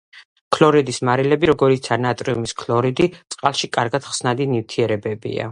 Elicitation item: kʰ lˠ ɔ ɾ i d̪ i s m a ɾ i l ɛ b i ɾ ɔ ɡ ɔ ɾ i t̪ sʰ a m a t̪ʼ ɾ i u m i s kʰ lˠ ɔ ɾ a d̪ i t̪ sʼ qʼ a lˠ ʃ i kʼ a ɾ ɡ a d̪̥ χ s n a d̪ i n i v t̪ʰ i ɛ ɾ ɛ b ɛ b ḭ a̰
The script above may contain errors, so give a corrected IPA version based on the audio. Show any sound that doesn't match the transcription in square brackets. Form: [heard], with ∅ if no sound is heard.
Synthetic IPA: kʰ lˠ ɔ ɾ i d̪ i s m a ɾ i l ɛ b i ɾ ɔ ɡ ɔ ɾ i t̪ sʰ a [n] a t̪ʼ ɾ i u m i s kʰ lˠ ɔ ɾ [i] d̪ i t̪ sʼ qʼ a lˠ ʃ i kʼ a ɾ ɡ a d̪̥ χ s n a d̪ i n i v t̪ʰ i ɛ ɾ ɛ b ɛ b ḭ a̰